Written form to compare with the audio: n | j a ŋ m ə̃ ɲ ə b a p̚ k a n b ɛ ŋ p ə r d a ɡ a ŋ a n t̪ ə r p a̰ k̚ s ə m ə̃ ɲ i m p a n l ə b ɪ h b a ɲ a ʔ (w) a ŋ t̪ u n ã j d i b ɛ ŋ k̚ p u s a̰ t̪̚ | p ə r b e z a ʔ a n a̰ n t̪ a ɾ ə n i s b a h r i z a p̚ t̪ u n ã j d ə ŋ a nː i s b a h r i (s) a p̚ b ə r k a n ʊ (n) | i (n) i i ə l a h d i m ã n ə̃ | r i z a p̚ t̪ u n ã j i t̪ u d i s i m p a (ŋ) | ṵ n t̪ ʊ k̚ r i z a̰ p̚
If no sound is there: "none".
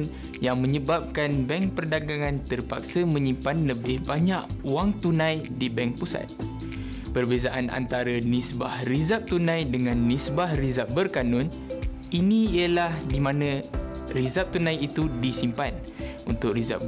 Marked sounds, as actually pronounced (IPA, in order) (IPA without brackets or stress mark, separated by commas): w, z, n, n, n